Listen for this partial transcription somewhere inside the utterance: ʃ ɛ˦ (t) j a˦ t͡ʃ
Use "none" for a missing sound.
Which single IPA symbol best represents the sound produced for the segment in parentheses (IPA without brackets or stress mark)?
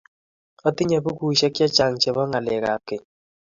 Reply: k